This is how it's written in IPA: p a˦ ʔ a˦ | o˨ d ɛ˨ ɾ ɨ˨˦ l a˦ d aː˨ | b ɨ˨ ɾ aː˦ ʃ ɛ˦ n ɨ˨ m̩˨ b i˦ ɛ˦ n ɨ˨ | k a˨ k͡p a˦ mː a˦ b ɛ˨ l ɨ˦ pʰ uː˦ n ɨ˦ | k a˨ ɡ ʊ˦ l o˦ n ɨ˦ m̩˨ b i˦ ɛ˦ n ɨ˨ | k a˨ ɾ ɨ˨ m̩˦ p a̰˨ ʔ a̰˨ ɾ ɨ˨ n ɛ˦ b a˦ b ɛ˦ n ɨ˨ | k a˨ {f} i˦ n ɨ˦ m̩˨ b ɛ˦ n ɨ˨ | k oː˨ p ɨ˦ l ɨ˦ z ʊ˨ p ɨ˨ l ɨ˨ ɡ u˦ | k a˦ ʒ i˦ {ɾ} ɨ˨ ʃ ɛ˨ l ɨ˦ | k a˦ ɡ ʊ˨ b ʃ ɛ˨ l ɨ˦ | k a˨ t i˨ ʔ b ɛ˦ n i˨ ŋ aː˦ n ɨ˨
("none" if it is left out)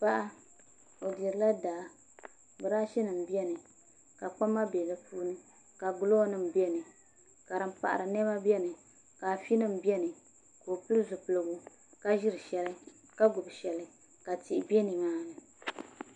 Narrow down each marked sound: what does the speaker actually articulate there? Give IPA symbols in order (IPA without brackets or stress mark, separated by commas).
f, ɾ